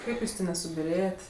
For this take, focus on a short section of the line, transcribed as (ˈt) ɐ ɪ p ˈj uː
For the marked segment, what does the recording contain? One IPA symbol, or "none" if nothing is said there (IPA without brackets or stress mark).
k